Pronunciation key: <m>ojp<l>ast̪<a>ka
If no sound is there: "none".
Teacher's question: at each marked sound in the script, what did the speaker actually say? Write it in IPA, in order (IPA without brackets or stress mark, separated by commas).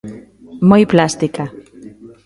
m, l, i